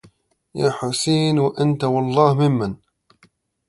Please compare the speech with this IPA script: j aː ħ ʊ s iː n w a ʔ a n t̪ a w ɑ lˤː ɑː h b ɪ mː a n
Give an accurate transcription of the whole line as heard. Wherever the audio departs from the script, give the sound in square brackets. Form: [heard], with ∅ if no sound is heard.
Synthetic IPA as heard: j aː ħ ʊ s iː n w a ʔ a n t̪ a w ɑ lˤː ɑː h [m] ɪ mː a n